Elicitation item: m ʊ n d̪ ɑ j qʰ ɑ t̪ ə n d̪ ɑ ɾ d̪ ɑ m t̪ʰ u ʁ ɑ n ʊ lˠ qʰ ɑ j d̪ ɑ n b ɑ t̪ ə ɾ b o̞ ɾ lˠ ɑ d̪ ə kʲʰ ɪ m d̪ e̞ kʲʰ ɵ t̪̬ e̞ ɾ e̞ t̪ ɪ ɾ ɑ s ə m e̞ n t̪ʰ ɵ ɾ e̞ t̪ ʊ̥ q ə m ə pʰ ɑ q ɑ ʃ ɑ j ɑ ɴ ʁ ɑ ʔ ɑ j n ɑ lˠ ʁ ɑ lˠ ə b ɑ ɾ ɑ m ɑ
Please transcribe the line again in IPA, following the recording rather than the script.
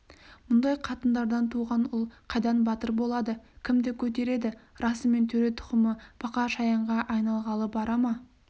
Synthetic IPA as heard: m ʊ n d̪ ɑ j qʰ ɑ t̪ ə n d̪ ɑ ɾ d̪ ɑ n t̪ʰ u ʁ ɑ n ʊ lˠ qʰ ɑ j d̪ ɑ n b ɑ t̪ ə ɾ b o̞ lˠ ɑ d̪ ə kʲʰ ɪ m d̪ e̞ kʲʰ ɵ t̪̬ e̞ ɾ e̞ d̪ ɪ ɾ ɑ s ə m e̞ n t̪ʰ ɵ ɾ e̞ t̪ʰ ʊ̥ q ə m ə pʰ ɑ q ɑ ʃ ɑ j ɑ ɴ ʁ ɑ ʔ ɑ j n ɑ lˠ ʁ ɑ lˠ ə b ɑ ɾ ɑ m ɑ